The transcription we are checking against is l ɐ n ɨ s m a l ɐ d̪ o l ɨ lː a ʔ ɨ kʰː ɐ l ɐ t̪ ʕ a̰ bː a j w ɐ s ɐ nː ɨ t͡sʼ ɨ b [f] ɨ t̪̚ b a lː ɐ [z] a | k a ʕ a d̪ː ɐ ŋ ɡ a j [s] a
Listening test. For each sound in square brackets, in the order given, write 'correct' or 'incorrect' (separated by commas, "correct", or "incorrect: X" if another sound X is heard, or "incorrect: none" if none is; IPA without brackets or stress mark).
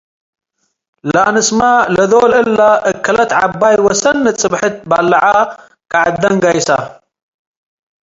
incorrect: ħ, incorrect: ʕ, correct